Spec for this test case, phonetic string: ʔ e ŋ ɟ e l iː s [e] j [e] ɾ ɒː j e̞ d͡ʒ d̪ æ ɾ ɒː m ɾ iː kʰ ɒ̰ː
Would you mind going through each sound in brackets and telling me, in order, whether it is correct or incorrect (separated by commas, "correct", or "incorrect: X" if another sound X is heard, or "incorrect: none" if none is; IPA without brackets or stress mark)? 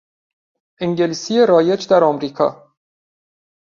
incorrect: i, correct